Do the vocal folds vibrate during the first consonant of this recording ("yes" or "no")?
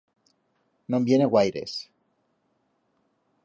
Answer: yes